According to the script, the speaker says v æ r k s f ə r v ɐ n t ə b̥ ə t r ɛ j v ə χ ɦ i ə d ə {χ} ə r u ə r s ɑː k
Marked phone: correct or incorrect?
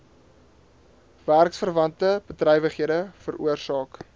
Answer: incorrect: f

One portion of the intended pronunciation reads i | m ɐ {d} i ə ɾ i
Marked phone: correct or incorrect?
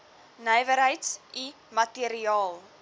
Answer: incorrect: t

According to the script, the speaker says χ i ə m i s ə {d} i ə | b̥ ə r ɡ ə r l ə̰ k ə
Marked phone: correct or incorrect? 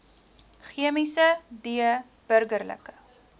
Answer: correct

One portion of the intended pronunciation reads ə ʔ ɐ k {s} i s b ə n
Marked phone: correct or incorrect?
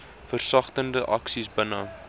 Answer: correct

